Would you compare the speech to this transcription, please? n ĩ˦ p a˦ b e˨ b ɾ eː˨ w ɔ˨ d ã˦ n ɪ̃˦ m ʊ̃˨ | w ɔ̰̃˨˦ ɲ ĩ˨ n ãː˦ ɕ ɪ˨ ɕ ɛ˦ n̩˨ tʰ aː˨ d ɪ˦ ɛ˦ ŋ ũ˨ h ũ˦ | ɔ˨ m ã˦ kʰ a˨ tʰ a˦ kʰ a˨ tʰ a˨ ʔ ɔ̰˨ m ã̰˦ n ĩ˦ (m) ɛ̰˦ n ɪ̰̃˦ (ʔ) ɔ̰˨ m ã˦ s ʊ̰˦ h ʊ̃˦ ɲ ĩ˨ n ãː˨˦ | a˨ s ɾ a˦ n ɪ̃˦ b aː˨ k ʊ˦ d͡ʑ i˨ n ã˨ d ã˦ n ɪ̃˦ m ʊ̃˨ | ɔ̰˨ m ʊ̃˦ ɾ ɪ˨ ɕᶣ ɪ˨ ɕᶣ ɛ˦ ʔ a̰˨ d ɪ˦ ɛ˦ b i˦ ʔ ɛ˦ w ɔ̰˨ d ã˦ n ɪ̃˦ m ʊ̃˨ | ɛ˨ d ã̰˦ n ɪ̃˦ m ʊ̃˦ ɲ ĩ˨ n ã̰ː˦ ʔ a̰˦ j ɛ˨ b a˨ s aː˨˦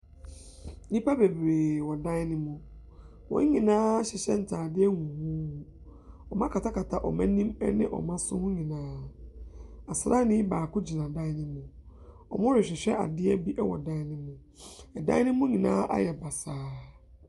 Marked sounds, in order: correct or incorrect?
correct, correct

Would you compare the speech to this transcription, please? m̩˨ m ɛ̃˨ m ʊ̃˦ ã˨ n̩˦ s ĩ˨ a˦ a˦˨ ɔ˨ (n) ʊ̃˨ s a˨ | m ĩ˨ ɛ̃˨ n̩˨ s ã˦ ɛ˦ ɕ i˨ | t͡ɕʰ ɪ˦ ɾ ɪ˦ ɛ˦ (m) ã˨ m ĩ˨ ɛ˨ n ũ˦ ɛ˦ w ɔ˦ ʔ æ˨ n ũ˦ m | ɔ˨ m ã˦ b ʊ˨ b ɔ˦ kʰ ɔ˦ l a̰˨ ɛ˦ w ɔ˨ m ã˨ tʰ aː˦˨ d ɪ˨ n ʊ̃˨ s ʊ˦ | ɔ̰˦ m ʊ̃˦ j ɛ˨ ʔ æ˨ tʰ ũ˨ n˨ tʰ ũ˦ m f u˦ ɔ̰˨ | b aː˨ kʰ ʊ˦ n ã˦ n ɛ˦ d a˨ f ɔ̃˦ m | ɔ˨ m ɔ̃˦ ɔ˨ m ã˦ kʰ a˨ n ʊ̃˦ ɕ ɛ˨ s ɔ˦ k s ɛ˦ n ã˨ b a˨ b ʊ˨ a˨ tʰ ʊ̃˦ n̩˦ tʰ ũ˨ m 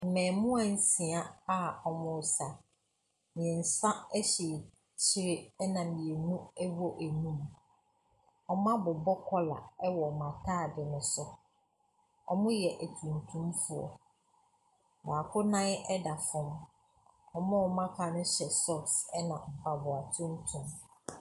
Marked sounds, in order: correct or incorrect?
incorrect, incorrect

